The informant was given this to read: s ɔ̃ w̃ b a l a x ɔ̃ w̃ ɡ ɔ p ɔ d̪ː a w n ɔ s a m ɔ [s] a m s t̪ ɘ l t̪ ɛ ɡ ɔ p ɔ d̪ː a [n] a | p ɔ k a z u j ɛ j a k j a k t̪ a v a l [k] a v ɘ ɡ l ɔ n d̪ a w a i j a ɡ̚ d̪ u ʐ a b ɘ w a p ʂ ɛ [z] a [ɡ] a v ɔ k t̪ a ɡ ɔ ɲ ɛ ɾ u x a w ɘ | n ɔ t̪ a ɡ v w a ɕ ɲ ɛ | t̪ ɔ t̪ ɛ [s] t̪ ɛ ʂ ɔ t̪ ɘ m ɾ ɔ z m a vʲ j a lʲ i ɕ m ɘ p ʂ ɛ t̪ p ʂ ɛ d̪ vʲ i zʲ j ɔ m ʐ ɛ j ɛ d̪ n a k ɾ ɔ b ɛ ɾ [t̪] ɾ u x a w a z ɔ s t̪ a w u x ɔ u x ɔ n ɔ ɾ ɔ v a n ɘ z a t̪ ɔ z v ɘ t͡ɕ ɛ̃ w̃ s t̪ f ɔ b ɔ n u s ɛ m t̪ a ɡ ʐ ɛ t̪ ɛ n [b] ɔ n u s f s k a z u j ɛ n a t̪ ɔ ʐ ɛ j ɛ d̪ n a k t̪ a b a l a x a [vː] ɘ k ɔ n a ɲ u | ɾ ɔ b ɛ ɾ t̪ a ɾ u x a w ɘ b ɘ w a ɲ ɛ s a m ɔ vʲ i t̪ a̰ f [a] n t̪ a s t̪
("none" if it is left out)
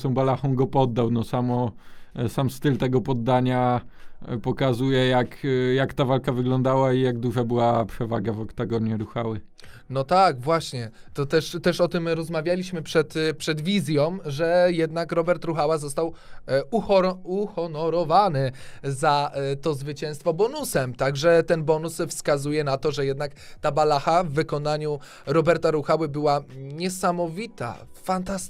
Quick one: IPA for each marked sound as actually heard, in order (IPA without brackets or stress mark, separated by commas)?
s, ɲ, k, v, ɡ, ʂ, t̪, b, vː, a